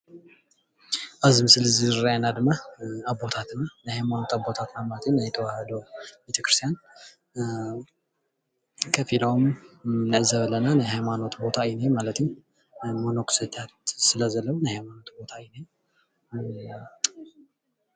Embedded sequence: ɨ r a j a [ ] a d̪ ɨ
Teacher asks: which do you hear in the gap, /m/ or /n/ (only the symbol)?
n